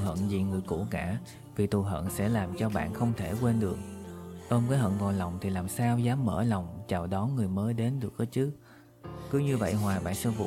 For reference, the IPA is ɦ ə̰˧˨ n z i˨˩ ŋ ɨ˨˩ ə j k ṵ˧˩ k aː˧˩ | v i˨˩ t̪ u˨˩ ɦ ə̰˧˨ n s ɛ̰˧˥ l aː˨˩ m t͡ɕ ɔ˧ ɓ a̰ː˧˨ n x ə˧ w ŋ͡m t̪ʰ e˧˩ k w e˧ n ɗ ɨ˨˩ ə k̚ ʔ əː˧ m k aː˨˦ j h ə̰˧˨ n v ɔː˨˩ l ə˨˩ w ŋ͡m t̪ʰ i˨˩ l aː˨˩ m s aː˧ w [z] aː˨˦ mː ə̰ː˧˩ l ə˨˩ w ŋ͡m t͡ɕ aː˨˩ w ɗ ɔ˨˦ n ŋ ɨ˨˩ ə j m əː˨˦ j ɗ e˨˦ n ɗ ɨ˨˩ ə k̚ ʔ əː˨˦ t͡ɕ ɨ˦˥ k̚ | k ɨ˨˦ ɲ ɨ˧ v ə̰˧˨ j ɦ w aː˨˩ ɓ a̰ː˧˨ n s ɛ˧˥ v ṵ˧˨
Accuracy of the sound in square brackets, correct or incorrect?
correct